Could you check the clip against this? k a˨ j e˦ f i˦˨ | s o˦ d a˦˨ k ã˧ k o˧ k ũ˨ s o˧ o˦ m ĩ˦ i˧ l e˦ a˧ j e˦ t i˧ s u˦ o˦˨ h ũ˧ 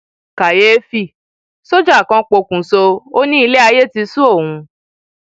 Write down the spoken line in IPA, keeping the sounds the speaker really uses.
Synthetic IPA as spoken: k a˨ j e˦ f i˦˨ | s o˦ d͡ʒ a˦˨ k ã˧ k͡p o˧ k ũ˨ s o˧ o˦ n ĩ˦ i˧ l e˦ a˧ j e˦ t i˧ s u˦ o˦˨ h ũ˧